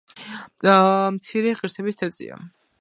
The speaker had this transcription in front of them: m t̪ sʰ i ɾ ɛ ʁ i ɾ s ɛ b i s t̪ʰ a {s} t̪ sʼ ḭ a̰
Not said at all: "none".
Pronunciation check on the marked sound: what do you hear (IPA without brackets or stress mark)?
none